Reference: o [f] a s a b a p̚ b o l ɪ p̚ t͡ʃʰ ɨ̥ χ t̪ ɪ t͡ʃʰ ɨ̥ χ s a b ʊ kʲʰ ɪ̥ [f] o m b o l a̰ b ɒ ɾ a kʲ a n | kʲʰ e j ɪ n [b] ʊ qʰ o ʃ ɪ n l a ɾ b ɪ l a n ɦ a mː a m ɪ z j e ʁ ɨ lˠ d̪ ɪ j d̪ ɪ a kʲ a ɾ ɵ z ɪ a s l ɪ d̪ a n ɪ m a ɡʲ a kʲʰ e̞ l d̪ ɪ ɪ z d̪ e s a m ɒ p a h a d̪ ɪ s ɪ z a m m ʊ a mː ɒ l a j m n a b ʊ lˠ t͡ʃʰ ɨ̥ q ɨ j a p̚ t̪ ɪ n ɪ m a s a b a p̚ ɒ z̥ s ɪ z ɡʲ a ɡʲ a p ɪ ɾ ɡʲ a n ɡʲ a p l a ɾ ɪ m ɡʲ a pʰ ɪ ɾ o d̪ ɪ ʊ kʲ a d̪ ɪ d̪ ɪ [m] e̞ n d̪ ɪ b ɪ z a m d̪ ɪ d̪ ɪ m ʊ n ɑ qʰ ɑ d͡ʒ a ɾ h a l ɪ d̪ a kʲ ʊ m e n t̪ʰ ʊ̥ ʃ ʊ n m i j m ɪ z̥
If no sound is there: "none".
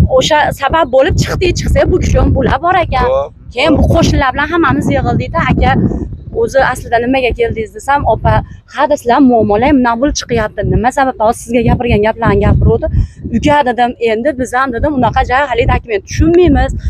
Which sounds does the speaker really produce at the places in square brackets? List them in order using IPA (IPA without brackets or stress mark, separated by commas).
ʃ, ʃ, b, m